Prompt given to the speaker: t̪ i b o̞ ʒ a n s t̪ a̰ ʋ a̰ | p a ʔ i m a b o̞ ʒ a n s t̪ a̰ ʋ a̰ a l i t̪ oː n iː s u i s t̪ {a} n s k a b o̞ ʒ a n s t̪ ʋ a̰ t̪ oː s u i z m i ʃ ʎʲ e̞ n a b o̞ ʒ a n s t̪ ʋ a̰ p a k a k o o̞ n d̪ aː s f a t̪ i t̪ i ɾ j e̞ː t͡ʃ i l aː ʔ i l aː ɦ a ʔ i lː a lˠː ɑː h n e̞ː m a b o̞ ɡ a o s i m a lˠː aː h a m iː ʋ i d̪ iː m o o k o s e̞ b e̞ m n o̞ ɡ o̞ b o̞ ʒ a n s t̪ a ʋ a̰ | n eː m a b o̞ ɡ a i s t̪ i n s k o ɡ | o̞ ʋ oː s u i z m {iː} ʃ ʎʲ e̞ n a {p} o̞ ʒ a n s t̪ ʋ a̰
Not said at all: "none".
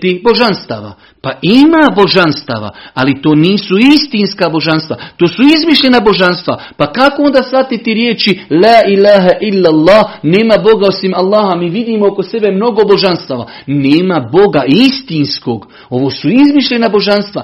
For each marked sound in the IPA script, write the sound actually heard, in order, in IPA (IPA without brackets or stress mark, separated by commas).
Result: i, i, b